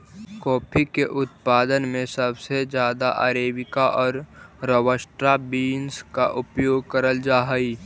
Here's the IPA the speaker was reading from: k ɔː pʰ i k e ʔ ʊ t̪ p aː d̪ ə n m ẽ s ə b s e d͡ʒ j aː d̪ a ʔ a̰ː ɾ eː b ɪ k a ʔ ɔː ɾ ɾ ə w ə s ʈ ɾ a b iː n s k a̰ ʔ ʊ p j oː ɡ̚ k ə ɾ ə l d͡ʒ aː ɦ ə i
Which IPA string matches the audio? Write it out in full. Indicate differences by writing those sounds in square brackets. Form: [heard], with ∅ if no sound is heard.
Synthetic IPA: k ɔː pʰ i k e ʔ ʊ t̪ p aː d̪ ə n m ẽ s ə b s e d͡ʒ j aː d̪ a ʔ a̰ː ɾ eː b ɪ k a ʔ ɔː ɾ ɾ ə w ə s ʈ ɾ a b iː n s k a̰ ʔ ʊ p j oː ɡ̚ k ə ɾ ə l d͡ʒ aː ɦ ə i